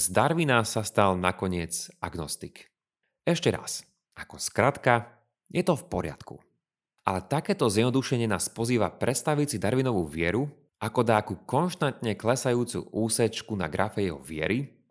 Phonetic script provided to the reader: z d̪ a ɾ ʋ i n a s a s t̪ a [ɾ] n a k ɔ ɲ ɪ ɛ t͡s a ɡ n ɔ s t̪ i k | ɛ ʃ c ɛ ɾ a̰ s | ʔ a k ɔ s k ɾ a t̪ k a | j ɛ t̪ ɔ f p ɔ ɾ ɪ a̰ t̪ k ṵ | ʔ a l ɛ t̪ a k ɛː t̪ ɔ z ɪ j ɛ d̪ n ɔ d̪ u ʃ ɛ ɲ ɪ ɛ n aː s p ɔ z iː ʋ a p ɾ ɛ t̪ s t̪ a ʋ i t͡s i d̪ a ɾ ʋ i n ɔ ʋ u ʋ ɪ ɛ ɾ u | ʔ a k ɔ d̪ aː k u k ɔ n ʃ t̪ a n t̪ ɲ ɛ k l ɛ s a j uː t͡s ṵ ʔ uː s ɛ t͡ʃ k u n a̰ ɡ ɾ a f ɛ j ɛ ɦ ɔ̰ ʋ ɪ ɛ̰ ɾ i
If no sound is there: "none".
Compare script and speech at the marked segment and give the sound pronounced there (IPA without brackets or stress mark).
l